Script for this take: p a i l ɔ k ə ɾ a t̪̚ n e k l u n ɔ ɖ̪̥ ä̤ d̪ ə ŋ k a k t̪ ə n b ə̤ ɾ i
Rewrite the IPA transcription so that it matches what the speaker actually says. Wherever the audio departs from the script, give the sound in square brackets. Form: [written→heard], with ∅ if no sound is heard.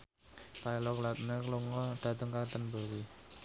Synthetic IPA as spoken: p a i l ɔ k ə [ɾ→l] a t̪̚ n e k l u [n→ŋ] ɔ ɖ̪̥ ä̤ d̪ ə ŋ k a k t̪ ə n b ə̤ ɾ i